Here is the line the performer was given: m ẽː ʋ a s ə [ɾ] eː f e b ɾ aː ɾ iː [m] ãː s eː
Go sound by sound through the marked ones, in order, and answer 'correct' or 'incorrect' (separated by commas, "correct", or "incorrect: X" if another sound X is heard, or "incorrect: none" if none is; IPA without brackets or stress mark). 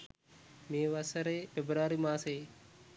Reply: correct, correct